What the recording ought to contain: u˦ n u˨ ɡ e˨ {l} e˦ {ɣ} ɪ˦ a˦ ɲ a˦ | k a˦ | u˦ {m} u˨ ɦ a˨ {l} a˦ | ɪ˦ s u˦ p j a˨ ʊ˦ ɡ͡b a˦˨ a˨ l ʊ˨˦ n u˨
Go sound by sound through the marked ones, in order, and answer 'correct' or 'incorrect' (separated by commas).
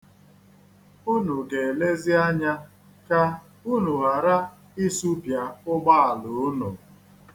correct, incorrect, incorrect, incorrect